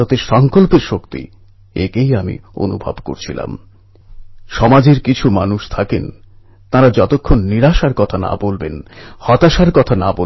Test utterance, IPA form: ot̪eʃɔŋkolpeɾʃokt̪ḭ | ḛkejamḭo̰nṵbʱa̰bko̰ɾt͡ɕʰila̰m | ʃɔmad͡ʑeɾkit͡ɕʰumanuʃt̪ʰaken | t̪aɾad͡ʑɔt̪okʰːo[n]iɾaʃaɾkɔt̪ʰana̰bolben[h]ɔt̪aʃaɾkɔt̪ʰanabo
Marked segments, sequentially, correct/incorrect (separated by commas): incorrect, correct